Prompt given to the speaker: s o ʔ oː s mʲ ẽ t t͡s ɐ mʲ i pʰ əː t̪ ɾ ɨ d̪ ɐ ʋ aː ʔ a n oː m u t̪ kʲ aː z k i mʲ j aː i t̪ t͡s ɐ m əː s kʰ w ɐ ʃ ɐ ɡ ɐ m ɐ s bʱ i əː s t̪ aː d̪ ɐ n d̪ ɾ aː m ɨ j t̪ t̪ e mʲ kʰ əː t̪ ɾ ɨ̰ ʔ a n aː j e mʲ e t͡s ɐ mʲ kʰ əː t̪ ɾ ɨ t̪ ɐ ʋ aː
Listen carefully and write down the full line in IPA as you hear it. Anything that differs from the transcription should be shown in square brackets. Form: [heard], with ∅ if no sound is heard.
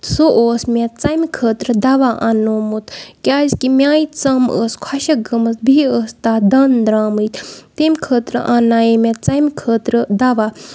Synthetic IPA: s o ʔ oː s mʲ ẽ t t͡s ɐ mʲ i [kʰ] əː t̪ ɾ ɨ d̪ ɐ ʋ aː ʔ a n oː m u t̪ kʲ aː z k i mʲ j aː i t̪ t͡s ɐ m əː s kʰ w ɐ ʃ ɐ ɡ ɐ m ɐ s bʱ i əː s t̪ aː d̪ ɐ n d̪ ɾ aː m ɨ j t̪ t̪ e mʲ kʰ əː t̪ ɾ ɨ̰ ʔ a n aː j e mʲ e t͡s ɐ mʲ kʰ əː t̪ ɾ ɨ [d̪] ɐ ʋ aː